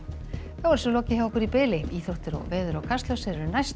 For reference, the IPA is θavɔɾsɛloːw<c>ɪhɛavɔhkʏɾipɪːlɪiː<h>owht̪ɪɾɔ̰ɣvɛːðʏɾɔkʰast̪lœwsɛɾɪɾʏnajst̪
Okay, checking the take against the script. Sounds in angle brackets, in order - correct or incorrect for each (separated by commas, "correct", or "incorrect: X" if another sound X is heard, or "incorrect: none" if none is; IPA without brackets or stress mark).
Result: correct, incorrect: θ